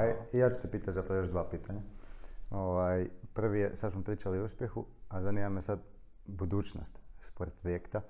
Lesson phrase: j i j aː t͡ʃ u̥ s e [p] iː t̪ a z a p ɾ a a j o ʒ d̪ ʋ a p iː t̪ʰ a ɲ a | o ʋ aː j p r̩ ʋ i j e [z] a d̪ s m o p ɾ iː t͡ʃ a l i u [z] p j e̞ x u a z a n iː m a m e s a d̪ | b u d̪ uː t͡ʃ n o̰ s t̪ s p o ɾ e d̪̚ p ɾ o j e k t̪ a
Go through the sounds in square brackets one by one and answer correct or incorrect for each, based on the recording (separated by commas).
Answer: correct, incorrect, incorrect